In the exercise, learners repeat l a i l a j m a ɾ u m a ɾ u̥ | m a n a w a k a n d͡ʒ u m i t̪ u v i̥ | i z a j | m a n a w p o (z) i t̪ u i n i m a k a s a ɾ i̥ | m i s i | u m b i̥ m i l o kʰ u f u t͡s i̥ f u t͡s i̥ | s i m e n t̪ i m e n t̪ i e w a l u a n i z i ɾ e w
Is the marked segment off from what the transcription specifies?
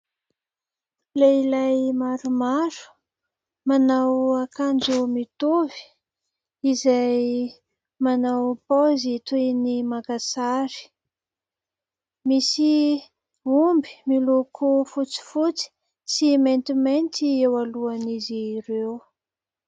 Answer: no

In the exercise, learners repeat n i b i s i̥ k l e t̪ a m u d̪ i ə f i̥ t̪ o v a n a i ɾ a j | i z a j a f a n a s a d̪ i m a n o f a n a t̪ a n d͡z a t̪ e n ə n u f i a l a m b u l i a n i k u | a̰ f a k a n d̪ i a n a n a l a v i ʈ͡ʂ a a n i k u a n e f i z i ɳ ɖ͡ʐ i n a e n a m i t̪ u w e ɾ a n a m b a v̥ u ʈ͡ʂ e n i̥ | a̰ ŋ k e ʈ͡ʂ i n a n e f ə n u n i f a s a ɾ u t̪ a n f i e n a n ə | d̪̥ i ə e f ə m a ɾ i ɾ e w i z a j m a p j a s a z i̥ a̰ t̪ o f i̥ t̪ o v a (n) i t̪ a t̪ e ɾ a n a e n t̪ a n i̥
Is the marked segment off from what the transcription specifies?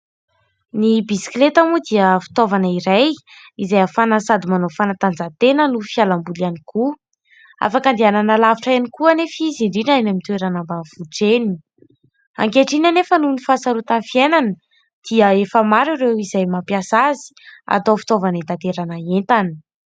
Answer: no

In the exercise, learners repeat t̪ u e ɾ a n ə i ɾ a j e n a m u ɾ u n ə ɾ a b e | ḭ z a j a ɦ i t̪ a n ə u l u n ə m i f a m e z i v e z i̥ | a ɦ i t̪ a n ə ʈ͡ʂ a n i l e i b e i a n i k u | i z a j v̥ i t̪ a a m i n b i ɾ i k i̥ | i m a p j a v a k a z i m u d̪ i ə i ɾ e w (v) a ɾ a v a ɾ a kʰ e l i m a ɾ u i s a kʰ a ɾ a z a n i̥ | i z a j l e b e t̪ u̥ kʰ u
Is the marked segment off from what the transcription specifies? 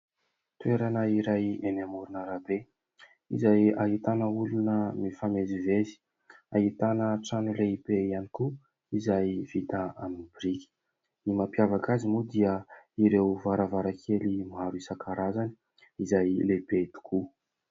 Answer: no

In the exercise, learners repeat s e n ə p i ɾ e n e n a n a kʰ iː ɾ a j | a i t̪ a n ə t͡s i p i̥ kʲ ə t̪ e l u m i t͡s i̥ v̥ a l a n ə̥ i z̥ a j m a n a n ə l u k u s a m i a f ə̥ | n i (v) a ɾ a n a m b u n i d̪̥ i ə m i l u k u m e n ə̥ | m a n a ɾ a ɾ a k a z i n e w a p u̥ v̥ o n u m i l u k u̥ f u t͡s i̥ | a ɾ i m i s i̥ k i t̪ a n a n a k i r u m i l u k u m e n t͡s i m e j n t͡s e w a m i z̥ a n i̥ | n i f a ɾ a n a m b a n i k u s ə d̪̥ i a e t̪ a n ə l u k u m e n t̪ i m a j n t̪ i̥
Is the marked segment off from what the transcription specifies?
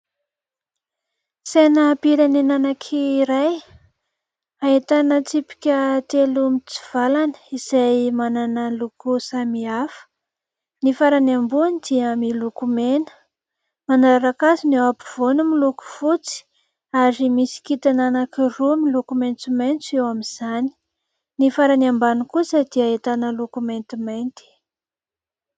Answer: yes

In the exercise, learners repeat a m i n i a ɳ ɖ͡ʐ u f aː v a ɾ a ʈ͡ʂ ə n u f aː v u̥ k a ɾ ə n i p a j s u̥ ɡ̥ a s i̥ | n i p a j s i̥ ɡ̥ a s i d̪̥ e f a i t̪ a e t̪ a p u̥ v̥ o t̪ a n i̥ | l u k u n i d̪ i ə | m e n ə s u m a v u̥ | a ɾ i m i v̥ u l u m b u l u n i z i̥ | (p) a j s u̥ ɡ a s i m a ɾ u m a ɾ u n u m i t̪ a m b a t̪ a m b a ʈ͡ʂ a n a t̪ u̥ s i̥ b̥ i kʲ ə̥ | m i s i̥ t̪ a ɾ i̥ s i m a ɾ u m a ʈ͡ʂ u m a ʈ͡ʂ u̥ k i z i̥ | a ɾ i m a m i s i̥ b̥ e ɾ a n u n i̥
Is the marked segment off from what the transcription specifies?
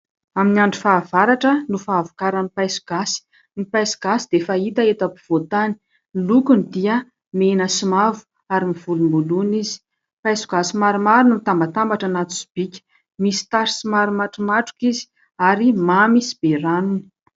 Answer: no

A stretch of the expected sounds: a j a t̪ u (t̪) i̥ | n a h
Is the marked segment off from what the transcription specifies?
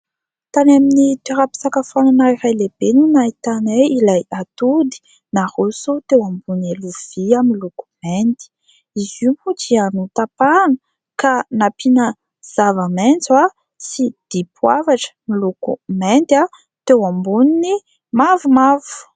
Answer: yes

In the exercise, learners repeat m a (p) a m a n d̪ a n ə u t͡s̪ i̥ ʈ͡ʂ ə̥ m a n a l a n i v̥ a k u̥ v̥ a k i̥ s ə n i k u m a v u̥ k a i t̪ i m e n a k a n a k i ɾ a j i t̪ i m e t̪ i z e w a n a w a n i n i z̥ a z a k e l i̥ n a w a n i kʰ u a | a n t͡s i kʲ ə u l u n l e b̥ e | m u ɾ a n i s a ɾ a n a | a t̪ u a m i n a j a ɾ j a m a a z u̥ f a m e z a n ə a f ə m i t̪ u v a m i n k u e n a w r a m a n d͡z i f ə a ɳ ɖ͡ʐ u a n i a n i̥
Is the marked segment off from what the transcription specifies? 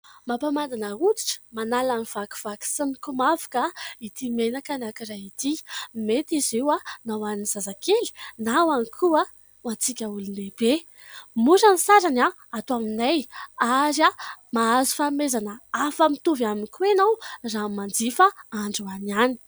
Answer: no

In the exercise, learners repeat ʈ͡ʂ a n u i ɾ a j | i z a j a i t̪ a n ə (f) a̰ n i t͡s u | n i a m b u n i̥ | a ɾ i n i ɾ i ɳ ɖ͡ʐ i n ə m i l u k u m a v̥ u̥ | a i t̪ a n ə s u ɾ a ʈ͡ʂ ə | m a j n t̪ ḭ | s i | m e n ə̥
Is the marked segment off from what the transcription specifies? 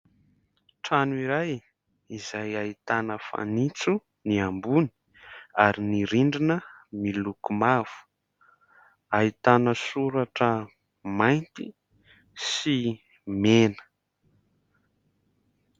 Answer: no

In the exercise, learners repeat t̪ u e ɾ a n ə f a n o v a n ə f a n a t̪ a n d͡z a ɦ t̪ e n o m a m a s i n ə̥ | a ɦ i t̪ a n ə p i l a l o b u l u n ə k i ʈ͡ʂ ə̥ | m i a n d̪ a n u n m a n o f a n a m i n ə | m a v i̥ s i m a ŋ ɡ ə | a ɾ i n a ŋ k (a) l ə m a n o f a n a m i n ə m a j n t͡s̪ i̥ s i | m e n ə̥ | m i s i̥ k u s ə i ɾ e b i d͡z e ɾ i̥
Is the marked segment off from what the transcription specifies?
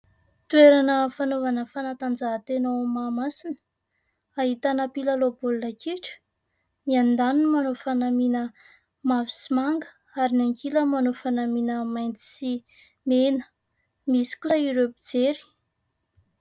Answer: yes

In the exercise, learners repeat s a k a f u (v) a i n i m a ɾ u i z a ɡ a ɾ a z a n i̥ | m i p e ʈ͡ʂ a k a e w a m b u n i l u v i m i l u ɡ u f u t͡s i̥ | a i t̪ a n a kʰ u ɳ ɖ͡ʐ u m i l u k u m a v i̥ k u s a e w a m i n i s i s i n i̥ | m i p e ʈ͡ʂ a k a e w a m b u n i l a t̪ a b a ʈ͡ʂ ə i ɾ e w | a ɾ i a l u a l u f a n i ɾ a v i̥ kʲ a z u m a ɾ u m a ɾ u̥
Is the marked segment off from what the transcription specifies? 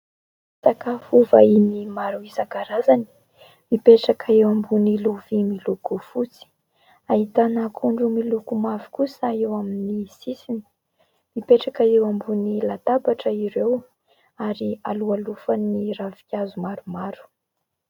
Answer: no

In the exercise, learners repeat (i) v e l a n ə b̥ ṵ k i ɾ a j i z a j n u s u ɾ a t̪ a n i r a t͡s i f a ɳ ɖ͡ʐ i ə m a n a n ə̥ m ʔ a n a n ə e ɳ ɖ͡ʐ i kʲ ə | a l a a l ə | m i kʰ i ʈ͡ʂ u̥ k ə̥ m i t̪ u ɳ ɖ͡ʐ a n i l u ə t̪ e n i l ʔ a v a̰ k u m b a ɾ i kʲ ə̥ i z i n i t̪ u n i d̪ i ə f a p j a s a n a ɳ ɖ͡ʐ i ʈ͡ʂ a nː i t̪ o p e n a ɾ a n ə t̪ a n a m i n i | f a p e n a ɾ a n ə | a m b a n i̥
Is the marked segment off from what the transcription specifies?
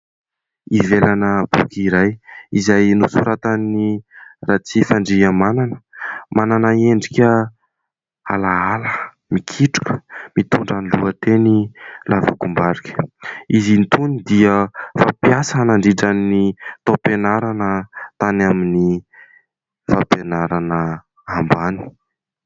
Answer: no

